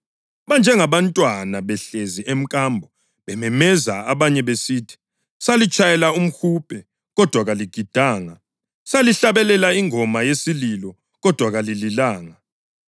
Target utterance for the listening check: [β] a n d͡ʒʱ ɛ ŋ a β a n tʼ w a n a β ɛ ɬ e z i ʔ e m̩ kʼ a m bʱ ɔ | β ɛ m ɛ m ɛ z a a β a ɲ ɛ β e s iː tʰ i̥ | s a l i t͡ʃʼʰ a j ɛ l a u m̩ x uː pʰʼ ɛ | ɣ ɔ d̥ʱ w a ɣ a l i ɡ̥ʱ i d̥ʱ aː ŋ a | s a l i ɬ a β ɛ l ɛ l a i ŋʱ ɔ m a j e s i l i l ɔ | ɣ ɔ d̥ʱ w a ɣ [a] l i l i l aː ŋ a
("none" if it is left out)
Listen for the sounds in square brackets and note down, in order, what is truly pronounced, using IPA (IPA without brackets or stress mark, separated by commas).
β, a